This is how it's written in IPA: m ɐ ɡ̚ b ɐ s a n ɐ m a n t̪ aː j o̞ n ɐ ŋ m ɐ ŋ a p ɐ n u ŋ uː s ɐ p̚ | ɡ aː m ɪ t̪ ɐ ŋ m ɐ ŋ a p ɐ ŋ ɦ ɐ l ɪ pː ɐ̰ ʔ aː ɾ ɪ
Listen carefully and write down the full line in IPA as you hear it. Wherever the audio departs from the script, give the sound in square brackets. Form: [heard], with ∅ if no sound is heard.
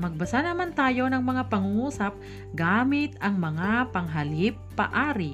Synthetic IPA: m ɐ ɡ̚ b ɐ s a n ɐ m a n t̪ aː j o̞ n ɐ ŋ m ɐ ŋ a p ɐ [ŋ] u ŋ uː s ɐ p̚ | ɡ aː m ɪ t̪ ɐ ŋ m ɐ ŋ a p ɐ ŋ ɦ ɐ l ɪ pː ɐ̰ ʔ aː ɾ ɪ